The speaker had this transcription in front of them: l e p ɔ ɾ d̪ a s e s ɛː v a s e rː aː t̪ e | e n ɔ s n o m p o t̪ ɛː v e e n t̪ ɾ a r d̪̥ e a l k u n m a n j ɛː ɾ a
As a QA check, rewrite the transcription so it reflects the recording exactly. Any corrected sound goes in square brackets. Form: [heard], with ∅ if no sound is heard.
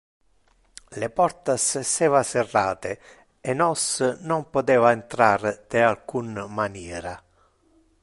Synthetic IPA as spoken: l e p ɔ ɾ [t̪] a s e s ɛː v a s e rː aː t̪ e | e n ɔ s n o m p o t̪ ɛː v [a] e n t̪ ɾ a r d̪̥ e a l k u n m a n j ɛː ɾ a